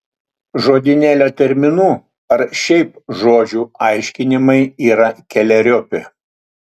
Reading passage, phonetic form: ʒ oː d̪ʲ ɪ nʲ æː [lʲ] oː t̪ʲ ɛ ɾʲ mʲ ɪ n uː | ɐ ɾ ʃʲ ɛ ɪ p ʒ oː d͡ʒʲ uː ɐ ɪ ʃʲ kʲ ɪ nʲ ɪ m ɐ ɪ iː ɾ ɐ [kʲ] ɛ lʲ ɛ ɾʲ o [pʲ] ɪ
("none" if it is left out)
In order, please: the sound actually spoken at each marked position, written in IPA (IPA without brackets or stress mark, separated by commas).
lʲ, kʲ, pʲ